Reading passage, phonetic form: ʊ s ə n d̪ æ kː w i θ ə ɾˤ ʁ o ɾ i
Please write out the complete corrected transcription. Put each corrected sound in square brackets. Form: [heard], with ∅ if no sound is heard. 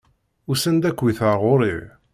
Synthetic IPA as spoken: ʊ s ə n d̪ æ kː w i θ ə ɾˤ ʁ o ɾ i